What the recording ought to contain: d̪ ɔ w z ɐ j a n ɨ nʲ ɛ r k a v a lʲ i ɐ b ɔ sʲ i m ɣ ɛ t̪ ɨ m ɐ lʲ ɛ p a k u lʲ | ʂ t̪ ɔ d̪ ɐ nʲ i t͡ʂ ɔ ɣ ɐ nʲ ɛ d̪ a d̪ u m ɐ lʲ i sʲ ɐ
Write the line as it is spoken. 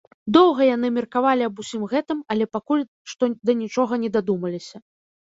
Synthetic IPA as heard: d̪ ɔ w ɣ ɐ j a n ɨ mʲ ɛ r k a v a lʲ i ɐ b u sʲ i m ɣ ɛ t̪ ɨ m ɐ lʲ ɛ p a k u lʲ | ʂ t̪ ɔ d̪ ɐ nʲ i t͡ʂ ɔ ɣ ɐ nʲ ɛ d̪ a d̪ u m ɐ lʲ i sʲ ɐ